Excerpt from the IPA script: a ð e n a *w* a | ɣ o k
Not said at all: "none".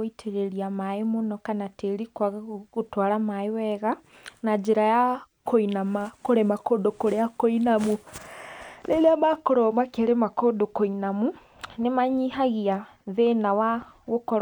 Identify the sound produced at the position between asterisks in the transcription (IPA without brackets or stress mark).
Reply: w